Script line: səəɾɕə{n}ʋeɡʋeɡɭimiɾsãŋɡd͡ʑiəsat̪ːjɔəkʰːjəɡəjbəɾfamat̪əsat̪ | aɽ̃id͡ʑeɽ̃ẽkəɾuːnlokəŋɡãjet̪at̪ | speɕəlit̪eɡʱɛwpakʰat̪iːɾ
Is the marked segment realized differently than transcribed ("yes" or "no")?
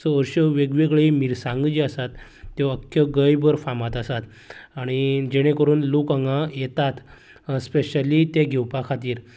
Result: yes